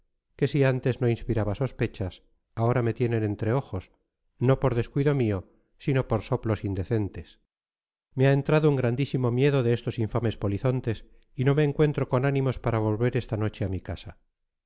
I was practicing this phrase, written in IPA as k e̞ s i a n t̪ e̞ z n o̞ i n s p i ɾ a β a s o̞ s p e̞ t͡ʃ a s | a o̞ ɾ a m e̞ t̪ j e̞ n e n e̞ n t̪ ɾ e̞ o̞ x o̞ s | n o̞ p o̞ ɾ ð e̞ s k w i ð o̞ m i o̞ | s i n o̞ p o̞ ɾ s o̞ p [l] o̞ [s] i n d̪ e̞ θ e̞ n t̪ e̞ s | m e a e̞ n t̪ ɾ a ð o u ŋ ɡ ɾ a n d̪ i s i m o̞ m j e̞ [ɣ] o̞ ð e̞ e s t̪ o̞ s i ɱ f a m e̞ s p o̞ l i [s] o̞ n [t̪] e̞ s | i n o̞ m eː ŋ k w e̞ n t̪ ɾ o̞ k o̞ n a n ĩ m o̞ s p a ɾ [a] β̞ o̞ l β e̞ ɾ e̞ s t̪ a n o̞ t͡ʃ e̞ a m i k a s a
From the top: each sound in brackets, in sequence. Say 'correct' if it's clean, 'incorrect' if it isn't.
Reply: correct, correct, incorrect: ð, incorrect: θ, correct, correct

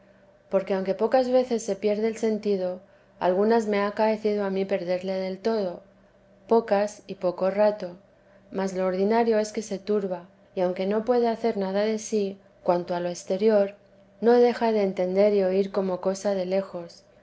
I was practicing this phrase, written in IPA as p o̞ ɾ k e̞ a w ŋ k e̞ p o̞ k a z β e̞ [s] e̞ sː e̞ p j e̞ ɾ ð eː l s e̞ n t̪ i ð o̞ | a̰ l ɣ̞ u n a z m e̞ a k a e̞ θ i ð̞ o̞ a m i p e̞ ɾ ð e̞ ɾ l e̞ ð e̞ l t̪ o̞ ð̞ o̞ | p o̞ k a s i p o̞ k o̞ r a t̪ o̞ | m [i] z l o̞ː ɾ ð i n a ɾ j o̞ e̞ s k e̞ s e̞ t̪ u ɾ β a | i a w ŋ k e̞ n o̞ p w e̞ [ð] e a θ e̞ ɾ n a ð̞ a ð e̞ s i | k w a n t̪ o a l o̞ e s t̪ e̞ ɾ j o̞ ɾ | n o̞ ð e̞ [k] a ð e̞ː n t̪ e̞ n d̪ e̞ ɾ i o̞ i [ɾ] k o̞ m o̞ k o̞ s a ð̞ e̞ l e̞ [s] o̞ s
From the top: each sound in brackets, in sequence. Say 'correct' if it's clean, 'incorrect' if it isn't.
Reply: incorrect: θ, incorrect: a, correct, incorrect: x, correct, incorrect: x

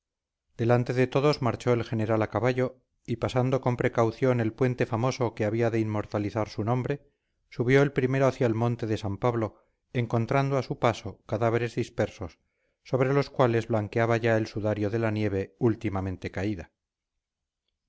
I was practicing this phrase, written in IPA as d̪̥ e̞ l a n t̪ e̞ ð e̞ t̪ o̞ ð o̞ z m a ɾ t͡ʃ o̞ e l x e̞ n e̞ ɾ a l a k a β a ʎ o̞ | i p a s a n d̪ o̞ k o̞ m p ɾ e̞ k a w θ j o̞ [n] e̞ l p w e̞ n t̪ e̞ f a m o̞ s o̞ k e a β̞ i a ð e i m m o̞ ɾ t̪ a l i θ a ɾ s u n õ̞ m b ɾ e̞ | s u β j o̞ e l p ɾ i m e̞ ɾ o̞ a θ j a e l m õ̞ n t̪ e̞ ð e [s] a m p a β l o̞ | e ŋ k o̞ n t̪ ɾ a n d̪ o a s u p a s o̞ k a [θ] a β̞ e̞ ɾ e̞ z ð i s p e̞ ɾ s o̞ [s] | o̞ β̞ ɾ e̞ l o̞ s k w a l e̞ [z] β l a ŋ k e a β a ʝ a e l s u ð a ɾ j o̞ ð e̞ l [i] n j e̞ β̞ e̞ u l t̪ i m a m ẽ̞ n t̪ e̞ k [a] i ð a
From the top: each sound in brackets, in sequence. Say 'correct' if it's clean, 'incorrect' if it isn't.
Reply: correct, correct, incorrect: ð, incorrect: sː, correct, incorrect: a, correct

